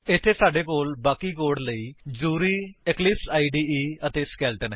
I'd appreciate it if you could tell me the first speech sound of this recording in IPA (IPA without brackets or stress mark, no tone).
ɪ